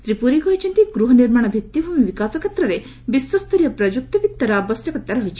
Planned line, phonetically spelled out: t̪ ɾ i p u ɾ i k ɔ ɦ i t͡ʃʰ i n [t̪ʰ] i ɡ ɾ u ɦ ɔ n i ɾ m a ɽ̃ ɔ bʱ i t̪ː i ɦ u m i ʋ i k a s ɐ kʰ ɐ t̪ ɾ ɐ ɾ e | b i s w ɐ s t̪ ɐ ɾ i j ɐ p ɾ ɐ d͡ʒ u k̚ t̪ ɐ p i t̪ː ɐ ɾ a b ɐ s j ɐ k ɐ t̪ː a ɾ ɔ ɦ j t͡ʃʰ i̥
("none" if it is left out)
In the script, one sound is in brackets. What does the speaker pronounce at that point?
t̪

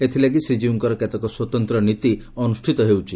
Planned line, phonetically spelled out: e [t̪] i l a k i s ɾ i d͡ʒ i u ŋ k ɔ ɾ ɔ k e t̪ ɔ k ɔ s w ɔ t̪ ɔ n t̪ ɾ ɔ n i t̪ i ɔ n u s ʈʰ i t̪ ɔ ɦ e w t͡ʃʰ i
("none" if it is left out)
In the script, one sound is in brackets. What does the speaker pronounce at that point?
t̪ʰ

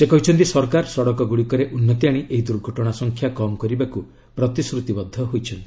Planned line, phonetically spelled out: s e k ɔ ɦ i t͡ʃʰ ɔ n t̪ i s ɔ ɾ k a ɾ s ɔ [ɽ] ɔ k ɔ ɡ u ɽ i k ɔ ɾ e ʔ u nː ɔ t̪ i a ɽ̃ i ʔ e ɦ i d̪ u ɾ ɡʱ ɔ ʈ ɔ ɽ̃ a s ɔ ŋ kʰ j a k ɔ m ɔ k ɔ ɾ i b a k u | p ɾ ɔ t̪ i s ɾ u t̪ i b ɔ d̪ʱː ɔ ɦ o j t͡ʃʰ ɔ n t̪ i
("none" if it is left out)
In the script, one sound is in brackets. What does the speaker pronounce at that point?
ɽ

